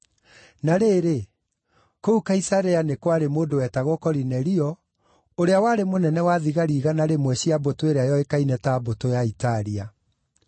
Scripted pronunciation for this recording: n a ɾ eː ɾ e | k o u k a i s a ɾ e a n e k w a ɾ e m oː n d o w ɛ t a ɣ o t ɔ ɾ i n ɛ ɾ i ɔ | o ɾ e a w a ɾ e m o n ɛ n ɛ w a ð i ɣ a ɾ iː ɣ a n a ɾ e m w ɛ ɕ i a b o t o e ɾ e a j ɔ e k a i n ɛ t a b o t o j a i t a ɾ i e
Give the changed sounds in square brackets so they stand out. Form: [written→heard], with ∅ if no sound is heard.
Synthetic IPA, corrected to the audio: n a ɾ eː ɾ e | k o u k a i s a ɾ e a n e k w a ɾ e m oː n d o w ɛ t a ɣ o [t→k] ɔ ɾ i n ɛ ɾ i ɔ | o ɾ e a w a ɾ e m o n ɛ n ɛ w a ð i ɣ a ɾ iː ɣ a n a ɾ e m w ɛ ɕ i a b o t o e ɾ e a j ɔ e k a i n ɛ t a b o t o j a i t a ɾ i [e→a]